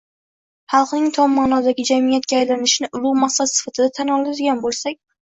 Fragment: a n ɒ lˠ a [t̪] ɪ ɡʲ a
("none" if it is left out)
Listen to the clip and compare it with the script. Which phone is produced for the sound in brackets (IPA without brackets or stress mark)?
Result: d̪